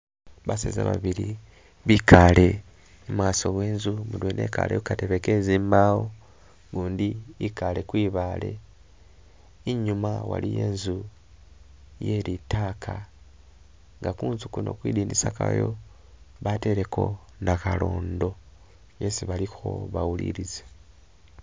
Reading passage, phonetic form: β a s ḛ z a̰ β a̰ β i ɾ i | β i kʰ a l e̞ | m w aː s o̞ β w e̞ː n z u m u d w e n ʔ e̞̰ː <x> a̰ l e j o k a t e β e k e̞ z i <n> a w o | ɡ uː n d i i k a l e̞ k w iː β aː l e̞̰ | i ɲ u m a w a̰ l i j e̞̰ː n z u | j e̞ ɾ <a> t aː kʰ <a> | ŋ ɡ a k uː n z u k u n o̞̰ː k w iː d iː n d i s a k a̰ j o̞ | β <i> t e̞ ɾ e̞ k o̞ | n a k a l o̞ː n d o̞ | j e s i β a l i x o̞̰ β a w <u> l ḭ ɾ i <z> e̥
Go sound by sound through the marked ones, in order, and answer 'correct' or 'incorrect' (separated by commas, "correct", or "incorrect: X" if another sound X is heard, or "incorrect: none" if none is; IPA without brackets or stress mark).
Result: incorrect: k, incorrect: m, incorrect: i, correct, incorrect: a, correct, correct